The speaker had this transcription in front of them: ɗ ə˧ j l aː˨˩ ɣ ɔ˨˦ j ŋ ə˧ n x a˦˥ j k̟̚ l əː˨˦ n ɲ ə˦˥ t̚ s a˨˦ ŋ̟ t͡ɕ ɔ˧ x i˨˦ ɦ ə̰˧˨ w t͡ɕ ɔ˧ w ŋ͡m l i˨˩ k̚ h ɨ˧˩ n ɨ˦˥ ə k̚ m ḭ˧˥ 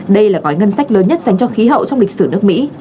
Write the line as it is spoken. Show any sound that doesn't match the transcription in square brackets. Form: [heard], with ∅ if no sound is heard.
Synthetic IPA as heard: ɗ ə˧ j l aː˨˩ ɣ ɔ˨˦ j ŋ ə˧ n [s] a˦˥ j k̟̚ l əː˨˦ n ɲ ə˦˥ t̚ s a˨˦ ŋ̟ t͡ɕ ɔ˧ x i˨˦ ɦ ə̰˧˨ w t͡ɕ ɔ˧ w ŋ͡m l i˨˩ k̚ [s] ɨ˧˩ n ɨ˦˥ ə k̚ m ḭ˧˥

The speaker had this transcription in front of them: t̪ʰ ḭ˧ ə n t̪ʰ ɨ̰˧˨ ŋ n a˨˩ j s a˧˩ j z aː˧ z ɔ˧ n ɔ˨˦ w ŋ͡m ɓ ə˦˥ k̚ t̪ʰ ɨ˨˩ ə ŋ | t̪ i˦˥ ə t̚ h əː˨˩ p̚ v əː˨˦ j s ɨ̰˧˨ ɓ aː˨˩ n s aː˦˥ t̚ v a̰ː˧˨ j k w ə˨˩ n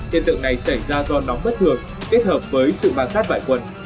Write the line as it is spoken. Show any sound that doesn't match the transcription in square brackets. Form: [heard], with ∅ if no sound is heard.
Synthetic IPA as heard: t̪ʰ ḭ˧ ə n [t̪] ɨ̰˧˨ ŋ n a˨˩ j s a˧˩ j z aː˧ z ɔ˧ n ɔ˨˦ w ŋ͡m ɓ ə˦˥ [t̚] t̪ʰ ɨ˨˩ ə ŋ | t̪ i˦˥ ə t̚ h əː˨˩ p̚ v əː˨˦ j s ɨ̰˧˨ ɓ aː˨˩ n s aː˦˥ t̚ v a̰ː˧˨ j k w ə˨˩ n

